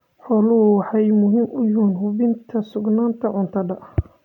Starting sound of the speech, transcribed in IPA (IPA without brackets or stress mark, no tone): ħ